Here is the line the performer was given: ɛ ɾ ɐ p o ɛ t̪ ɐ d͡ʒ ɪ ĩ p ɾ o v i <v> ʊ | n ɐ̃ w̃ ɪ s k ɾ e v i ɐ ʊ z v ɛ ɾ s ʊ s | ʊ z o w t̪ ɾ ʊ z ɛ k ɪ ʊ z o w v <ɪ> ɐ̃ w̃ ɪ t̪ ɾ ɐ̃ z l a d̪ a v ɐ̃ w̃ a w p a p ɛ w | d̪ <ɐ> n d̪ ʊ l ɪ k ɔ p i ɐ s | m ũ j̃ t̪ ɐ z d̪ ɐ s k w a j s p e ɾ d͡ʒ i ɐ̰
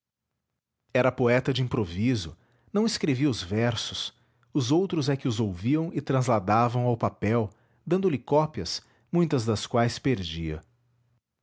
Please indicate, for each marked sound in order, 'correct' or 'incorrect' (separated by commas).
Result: incorrect, incorrect, incorrect